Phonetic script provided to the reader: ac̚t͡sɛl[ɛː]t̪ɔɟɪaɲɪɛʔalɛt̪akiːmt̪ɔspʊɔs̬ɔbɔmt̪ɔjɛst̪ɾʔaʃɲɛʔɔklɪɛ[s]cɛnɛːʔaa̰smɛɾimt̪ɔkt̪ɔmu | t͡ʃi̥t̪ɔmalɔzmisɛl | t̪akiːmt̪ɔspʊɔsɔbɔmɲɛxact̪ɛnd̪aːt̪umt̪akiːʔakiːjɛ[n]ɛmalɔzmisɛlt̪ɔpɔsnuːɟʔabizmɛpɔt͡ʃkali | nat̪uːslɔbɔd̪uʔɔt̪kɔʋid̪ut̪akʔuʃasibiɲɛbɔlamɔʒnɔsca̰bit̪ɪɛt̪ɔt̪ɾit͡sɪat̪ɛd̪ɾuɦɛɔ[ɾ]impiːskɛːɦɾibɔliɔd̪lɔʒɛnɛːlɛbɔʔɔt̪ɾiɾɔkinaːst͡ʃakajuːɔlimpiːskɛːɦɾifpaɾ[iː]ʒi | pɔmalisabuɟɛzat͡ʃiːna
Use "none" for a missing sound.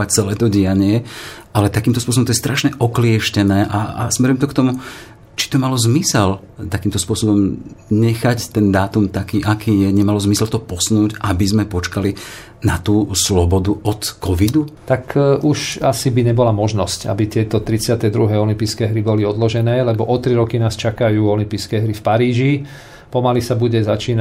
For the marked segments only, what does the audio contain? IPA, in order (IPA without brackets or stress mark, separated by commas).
ɛː, ʃ, ɲ, l, iː